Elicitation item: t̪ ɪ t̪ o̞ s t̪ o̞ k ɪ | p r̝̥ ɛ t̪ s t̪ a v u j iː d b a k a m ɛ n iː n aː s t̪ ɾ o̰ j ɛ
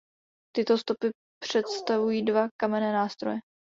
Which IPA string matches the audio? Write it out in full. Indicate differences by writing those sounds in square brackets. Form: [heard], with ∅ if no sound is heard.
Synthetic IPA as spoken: t̪ ɪ t̪ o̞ s t̪ o̞ [p] ɪ | p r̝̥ ɛ t̪ s t̪ a v u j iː d [v] a k a m ɛ n [ɛː] n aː s t̪ ɾ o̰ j ɛ